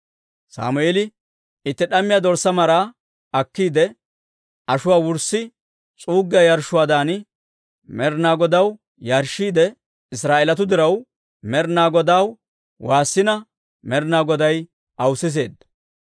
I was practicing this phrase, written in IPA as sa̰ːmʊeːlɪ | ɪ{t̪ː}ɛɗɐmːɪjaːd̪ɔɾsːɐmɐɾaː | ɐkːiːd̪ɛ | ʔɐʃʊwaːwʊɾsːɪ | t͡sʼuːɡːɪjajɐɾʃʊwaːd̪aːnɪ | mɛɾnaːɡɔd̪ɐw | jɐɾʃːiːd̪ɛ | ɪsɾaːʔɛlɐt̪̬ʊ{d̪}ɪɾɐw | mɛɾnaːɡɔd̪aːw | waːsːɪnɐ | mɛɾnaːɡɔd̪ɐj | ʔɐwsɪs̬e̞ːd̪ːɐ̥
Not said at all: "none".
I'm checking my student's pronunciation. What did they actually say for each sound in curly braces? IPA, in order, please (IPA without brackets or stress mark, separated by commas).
t̪ː, d̪